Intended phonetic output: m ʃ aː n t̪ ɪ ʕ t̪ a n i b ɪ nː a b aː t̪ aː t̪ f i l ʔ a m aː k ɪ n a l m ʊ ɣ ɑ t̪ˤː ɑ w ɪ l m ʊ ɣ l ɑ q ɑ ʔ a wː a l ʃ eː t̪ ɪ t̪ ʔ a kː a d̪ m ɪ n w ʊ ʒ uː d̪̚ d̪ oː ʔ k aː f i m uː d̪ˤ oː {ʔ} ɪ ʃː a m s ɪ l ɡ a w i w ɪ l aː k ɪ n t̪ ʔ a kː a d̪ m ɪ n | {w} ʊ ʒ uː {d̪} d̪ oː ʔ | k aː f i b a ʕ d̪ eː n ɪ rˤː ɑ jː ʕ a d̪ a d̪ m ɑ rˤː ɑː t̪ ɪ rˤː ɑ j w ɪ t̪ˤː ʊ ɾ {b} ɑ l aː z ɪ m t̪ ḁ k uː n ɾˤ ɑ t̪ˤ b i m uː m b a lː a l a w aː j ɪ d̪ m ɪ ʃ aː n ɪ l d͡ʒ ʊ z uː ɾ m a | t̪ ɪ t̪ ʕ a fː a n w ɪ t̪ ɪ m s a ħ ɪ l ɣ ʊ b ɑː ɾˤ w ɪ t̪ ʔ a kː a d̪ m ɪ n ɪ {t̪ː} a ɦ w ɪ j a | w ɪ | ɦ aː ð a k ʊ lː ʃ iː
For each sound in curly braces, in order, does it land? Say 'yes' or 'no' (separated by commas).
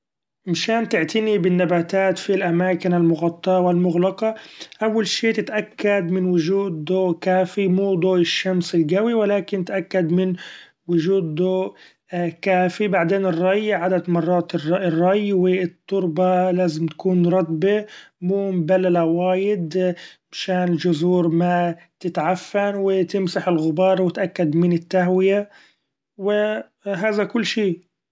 yes, yes, yes, yes, yes